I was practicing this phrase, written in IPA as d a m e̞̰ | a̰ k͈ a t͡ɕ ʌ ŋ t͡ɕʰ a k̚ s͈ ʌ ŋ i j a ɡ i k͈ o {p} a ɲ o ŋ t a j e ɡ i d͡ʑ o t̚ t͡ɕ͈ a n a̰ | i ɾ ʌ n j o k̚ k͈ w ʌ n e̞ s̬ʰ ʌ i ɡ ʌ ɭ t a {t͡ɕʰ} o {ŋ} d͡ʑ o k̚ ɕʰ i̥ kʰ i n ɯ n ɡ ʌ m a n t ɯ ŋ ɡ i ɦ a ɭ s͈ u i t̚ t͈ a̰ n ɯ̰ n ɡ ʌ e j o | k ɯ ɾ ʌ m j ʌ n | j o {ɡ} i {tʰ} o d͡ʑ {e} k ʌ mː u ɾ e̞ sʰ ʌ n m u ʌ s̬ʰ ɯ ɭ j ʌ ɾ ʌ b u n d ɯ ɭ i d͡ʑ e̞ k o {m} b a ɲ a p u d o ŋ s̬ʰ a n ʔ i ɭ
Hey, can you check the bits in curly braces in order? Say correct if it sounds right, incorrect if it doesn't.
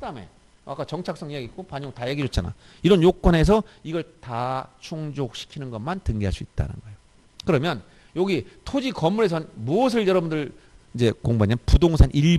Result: correct, correct, correct, correct, correct, incorrect: i, incorrect: ŋ

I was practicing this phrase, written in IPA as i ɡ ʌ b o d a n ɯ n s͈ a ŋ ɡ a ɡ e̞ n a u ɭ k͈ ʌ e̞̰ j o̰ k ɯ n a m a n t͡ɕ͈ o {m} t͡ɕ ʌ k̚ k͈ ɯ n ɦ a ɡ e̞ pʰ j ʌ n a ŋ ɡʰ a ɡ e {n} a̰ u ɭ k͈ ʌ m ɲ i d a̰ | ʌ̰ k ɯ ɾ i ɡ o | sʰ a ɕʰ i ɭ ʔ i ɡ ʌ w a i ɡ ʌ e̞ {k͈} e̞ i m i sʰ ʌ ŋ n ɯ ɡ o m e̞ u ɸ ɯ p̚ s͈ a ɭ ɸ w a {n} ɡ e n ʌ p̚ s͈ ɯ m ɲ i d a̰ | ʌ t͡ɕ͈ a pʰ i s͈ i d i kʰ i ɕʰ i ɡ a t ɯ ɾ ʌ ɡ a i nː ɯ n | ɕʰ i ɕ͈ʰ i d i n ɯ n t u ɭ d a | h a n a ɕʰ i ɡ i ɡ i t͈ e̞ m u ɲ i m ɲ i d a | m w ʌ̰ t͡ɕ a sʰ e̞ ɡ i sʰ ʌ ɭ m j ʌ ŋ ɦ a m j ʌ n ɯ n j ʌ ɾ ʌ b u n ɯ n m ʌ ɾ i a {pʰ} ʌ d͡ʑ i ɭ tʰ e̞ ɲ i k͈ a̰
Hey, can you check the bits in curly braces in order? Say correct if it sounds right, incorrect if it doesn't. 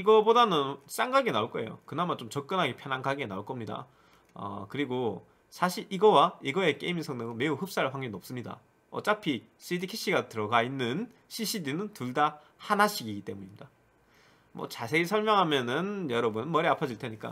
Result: correct, correct, correct, incorrect: ŋ, correct

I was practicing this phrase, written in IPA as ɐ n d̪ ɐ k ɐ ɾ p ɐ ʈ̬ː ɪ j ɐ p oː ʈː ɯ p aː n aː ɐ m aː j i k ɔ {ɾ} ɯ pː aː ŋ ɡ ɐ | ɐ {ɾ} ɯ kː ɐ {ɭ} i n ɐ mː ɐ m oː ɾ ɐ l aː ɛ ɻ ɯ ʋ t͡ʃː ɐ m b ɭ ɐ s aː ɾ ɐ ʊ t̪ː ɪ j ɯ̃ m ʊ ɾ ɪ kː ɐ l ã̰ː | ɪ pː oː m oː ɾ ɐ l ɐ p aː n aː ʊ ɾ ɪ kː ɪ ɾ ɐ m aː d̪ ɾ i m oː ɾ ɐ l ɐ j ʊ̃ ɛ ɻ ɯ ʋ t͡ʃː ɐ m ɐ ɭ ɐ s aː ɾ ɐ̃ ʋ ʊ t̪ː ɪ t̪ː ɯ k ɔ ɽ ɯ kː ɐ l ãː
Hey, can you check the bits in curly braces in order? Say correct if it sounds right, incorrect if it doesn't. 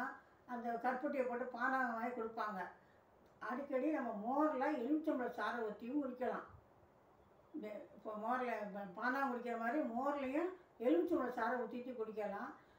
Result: incorrect: ɽ, incorrect: ɽ, incorrect: ɽ

